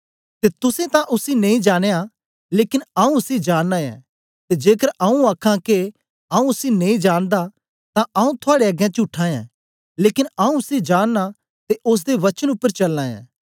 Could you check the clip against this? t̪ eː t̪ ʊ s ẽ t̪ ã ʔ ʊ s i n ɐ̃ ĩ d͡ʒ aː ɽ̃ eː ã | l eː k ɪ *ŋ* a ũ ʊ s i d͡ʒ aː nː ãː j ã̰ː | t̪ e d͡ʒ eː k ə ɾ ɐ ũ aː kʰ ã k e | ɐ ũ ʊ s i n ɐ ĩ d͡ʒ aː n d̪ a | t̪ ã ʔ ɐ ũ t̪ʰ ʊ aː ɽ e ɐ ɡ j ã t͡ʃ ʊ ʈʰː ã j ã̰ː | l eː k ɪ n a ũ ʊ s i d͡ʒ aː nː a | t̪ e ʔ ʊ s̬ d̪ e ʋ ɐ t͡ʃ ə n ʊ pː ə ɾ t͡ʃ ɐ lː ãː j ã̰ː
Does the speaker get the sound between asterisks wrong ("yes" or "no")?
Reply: yes